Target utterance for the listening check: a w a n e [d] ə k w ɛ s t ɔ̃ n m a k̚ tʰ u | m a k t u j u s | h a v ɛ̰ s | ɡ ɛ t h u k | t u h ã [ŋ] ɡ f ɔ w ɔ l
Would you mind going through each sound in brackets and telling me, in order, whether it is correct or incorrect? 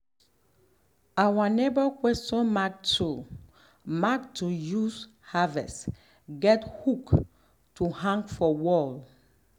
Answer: incorrect, correct

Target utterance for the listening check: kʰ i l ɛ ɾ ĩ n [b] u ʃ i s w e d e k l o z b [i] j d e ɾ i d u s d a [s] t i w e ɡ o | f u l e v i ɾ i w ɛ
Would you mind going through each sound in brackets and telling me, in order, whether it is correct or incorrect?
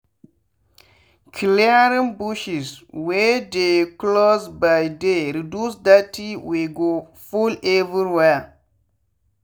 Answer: correct, incorrect, incorrect

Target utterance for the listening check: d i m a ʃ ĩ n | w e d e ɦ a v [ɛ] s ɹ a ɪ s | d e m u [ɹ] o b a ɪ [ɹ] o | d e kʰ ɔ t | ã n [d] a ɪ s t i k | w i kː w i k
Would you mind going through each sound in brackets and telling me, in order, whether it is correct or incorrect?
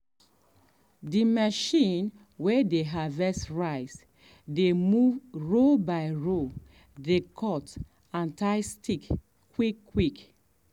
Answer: correct, correct, correct, incorrect

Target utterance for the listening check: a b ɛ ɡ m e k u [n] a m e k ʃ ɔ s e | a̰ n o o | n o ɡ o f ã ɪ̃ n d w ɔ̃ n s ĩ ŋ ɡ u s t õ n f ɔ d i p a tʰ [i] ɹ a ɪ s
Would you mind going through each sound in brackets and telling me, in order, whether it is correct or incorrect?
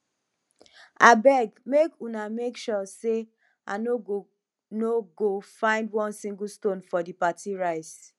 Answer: correct, correct

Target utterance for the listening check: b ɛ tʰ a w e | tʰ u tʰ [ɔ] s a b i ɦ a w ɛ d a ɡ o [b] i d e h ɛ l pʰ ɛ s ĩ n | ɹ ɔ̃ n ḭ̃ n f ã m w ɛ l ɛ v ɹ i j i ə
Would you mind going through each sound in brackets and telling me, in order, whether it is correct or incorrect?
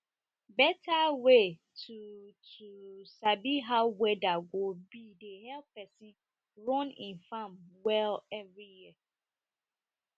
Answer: incorrect, correct

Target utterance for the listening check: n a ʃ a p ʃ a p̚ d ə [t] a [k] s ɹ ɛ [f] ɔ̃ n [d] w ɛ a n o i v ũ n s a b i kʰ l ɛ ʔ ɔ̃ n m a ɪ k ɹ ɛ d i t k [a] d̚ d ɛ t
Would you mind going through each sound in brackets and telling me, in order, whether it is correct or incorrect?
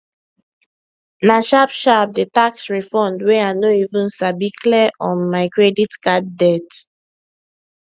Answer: correct, correct, correct, correct, correct

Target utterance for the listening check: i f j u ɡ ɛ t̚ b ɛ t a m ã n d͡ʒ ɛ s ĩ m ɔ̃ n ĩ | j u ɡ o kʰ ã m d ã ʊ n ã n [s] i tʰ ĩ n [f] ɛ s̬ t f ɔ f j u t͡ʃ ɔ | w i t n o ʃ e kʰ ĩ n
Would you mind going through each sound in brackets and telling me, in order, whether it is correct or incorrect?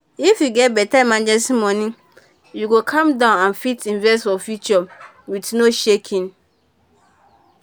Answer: incorrect, incorrect

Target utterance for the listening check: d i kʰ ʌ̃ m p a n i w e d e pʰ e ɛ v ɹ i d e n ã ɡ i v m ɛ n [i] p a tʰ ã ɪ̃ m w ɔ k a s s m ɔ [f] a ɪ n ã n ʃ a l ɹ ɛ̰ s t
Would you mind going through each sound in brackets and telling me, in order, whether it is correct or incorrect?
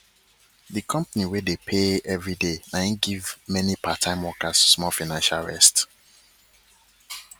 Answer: correct, correct

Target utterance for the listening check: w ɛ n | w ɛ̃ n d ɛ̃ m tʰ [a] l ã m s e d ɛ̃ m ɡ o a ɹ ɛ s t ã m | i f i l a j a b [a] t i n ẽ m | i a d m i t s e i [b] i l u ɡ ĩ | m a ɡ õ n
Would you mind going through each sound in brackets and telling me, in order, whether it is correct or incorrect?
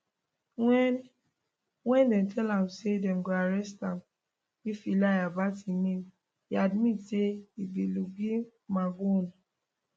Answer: incorrect, correct, correct

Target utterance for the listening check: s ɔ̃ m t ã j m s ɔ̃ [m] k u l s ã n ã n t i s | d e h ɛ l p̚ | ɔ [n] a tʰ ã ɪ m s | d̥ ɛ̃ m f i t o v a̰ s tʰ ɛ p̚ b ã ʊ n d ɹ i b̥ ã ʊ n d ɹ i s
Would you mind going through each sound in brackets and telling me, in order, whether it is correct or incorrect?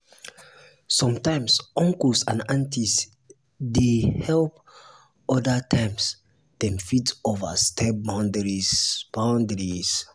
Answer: incorrect, incorrect

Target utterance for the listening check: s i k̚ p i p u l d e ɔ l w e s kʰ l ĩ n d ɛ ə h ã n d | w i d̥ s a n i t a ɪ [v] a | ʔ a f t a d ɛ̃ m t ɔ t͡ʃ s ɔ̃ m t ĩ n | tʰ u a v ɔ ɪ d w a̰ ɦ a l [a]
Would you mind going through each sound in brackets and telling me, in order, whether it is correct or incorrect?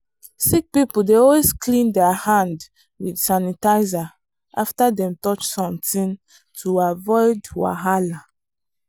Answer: incorrect, correct

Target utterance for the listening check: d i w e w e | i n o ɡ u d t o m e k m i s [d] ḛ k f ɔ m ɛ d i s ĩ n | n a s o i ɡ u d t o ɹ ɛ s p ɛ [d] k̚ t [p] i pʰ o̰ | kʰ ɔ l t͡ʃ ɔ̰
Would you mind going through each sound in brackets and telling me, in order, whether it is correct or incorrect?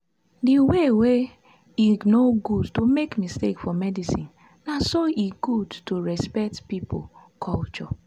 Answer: incorrect, incorrect, correct

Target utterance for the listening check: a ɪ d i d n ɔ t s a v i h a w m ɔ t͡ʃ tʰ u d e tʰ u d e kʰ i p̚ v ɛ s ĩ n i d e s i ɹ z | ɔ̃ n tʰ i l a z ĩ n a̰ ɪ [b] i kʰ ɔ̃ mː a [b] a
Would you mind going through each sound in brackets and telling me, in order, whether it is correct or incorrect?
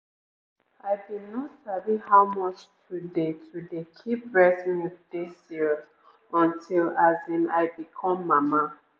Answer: correct, incorrect

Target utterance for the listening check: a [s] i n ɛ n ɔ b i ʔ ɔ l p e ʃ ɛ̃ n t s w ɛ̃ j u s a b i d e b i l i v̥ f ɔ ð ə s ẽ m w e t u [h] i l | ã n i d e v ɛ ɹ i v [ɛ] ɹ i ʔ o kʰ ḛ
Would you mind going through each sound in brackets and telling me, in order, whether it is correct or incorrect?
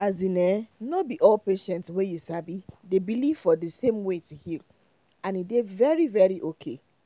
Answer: incorrect, correct, correct

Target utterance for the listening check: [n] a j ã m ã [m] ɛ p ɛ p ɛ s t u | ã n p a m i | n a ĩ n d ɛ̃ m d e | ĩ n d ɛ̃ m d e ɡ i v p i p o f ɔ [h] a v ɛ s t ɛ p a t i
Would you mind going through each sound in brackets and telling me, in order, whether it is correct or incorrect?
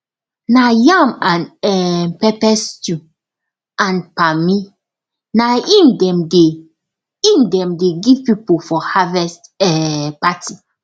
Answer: correct, incorrect, correct

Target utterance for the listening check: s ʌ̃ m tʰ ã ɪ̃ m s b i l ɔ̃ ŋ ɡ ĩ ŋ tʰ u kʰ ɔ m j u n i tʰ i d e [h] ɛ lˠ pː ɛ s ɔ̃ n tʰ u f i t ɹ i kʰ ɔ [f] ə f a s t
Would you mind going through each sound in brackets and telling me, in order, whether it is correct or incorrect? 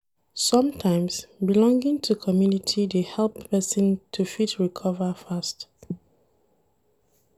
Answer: correct, incorrect

